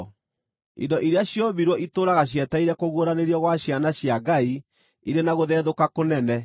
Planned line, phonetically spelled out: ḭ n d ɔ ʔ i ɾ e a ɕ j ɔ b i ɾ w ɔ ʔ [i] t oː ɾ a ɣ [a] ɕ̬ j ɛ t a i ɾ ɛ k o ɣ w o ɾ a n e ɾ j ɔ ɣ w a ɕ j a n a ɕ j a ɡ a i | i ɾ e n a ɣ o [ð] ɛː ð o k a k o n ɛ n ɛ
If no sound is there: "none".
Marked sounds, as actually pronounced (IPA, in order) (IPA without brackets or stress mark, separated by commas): i, a, ð